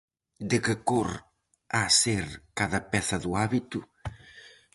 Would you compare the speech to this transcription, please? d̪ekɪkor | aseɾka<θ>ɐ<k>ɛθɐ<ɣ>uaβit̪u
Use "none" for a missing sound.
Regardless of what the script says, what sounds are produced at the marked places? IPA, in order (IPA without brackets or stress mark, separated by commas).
ð, p, ð